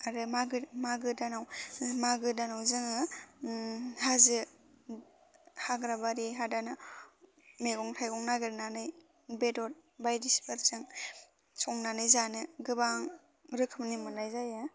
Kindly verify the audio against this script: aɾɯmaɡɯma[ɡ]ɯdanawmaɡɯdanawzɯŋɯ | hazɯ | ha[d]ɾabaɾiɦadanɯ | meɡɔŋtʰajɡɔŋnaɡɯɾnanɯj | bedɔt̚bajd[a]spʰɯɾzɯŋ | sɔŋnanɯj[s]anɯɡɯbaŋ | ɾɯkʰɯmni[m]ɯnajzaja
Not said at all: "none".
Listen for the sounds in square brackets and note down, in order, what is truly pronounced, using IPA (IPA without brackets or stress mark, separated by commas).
ɡ, ɡ, i, z, m